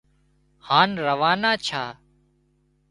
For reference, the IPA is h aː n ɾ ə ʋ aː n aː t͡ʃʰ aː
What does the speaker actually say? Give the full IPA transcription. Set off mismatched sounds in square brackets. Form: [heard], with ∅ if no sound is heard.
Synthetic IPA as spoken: h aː n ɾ ə ʋ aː n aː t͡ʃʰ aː